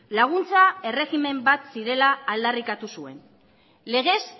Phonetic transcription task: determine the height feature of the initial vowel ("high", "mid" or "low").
low